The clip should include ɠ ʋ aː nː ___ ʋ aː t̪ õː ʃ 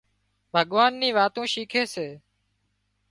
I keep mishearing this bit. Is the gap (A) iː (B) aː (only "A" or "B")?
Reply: A